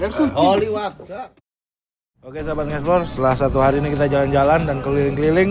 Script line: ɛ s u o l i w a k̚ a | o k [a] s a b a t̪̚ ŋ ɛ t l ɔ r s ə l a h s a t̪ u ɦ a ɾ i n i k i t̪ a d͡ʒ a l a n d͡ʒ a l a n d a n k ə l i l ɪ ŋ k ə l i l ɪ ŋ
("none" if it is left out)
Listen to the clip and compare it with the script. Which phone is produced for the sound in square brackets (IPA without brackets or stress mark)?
e